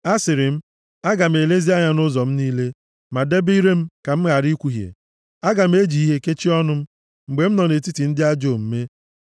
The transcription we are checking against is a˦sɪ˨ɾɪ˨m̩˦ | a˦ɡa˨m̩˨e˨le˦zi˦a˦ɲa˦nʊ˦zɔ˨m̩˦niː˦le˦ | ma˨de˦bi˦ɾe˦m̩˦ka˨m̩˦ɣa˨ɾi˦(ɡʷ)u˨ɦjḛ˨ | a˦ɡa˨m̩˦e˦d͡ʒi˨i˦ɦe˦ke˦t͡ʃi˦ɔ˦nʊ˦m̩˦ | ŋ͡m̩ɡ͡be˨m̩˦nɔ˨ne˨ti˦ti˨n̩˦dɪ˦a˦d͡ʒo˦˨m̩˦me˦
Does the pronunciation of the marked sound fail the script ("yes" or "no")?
yes